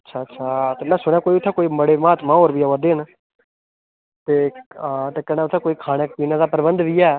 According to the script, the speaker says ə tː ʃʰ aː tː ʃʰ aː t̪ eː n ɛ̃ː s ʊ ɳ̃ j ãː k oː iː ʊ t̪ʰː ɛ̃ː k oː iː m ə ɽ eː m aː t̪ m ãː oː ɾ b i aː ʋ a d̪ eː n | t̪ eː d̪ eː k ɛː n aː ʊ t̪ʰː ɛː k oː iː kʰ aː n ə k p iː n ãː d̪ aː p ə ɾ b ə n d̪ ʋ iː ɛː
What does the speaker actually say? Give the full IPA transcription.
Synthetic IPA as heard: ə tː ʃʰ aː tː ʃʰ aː t̪ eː m ɛ̃ː s ʊ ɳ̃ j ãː k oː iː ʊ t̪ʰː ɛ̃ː k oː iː m ə ɽ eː m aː t̪ m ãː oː ɾ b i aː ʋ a d̪ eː n | t̪ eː t̪ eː k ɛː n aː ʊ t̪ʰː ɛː k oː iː kʰ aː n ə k p iː n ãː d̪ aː p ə ɾ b ə n d̪ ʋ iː ɛː